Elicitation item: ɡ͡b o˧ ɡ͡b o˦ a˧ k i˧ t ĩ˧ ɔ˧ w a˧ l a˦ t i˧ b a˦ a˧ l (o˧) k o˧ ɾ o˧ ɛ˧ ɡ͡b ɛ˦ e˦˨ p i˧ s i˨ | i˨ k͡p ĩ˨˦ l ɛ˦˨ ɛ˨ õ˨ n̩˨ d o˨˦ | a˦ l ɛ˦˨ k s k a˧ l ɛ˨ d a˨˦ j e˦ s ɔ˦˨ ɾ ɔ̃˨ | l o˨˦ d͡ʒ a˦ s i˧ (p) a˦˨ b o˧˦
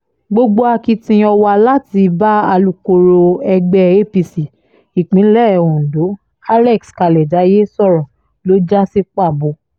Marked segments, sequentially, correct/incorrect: incorrect, incorrect

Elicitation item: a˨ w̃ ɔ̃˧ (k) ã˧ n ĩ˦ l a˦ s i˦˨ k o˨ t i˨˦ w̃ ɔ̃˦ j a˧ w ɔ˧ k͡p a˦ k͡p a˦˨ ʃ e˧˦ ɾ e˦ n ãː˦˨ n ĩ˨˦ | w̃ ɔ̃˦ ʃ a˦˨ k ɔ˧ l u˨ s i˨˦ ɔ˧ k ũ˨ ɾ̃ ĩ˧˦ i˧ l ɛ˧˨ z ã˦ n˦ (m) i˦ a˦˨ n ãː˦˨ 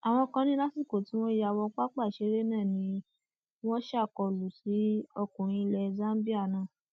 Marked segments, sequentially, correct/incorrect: correct, incorrect

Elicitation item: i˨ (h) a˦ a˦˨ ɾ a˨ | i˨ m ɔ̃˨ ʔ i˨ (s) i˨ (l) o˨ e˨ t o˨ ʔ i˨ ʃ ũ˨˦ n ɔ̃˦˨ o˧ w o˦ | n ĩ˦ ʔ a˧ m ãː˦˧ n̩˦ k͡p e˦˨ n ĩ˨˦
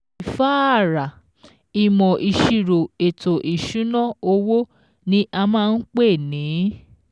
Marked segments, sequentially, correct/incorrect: incorrect, incorrect, incorrect

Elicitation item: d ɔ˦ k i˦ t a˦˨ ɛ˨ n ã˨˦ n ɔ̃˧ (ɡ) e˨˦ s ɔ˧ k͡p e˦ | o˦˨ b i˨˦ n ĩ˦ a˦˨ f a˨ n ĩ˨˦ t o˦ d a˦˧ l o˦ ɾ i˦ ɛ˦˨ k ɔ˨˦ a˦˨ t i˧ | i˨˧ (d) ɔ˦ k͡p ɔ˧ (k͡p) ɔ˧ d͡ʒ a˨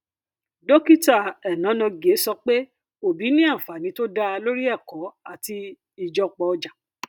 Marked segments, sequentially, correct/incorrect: correct, incorrect, incorrect

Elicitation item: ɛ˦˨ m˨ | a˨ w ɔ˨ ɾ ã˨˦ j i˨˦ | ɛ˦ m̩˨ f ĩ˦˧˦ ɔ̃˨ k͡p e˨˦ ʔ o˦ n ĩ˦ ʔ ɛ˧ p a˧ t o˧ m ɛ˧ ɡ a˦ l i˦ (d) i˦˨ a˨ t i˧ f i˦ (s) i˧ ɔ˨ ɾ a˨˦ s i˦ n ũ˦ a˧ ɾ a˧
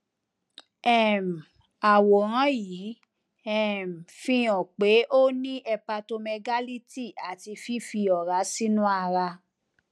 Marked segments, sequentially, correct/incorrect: incorrect, incorrect

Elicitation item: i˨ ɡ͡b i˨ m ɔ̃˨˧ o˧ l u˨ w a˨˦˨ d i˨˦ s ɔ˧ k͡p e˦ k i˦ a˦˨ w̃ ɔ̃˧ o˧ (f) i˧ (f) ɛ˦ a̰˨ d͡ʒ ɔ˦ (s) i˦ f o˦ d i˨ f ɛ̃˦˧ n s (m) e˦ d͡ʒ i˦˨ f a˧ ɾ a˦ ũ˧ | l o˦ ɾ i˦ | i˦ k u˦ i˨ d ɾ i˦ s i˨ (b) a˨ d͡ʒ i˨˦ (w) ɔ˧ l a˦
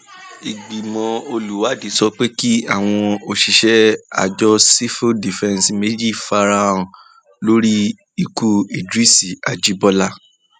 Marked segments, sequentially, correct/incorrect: incorrect, incorrect, correct, correct, incorrect, incorrect

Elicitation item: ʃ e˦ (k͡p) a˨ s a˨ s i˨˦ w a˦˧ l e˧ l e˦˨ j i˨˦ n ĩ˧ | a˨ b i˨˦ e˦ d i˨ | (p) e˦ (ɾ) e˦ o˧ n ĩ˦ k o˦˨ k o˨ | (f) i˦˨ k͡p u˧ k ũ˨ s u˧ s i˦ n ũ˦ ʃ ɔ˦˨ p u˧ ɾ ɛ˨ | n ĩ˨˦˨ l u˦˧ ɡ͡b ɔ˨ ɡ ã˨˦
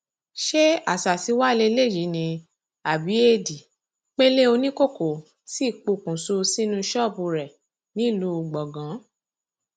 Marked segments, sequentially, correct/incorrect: incorrect, incorrect, incorrect, incorrect

